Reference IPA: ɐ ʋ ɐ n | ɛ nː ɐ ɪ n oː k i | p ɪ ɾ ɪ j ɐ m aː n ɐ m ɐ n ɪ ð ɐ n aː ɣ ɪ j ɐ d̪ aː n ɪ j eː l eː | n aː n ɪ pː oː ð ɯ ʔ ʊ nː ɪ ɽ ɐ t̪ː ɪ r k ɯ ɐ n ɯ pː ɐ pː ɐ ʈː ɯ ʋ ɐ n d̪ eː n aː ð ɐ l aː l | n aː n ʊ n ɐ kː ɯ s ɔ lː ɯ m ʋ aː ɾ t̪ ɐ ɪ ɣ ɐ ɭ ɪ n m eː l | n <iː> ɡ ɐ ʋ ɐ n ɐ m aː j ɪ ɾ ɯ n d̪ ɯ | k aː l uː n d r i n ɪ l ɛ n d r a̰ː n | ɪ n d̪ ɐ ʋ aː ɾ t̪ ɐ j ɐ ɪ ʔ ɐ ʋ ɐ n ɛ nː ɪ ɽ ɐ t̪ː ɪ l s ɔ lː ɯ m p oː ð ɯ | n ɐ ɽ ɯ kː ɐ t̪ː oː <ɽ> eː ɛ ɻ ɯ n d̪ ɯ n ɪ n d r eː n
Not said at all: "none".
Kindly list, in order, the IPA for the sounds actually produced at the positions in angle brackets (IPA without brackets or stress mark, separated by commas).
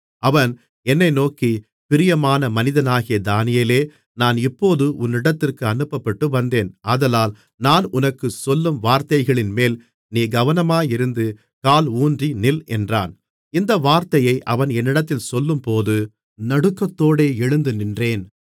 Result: iː, ɽ